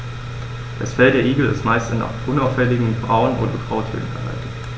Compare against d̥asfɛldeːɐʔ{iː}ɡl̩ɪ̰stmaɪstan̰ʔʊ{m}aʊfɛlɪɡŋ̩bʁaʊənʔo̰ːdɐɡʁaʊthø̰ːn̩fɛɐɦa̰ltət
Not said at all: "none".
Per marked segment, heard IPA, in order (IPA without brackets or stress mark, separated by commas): iː, n